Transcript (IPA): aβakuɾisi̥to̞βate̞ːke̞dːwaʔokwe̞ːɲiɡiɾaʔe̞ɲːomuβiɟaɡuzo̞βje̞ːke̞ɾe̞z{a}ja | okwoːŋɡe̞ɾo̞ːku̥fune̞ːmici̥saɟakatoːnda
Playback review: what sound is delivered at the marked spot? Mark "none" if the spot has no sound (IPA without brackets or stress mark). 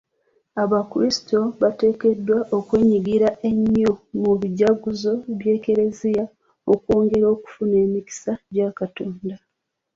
i